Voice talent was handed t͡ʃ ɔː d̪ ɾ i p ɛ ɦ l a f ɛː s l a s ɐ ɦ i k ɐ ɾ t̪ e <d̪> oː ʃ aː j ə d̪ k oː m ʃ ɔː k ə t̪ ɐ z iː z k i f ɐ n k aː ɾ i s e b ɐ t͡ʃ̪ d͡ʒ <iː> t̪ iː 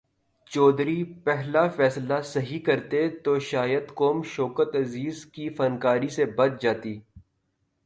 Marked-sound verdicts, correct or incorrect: incorrect: t̪, incorrect: aː

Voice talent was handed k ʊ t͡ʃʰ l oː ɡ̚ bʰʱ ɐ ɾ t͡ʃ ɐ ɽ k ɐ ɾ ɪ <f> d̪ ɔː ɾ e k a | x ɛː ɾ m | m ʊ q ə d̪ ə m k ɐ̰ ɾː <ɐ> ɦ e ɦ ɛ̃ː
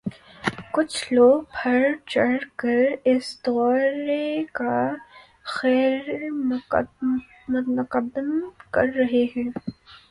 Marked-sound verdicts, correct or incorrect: incorrect: s, correct

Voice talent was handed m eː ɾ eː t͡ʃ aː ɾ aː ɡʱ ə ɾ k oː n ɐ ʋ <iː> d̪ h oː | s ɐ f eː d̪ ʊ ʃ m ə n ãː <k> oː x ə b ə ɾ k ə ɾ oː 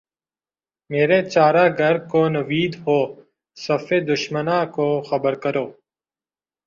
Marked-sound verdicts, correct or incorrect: correct, correct

